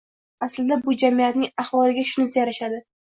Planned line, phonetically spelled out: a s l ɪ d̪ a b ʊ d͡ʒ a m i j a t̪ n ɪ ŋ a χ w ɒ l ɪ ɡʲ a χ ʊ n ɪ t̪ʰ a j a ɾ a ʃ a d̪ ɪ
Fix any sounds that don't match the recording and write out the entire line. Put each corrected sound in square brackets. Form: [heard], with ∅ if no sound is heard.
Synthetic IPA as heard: a s l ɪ d̪ a b ʊ d͡ʒ a m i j a t̪ n ɪ ŋ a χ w ɒ l ɪ ɡʲ a [ʃ] ʊ n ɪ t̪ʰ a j a ɾ a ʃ a d̪ ɪ